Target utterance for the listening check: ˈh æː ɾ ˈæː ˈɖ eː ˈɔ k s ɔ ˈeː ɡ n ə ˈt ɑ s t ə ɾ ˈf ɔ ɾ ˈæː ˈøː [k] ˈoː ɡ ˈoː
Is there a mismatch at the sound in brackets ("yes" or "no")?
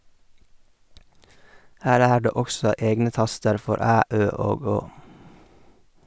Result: yes